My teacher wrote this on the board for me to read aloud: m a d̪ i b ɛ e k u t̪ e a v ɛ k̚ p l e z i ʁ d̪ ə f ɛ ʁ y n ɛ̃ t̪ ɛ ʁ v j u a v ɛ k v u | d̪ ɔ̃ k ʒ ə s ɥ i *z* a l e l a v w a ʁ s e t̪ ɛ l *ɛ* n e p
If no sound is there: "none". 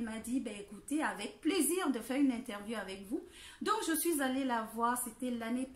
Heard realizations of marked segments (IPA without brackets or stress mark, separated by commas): z, a